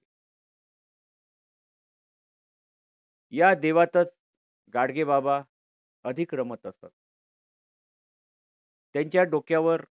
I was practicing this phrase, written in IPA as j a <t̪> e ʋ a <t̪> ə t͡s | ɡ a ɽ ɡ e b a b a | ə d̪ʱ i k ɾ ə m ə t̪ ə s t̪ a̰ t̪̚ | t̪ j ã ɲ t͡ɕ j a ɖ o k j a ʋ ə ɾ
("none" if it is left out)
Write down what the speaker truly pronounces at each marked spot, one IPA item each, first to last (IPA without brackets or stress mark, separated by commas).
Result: d̪, t̪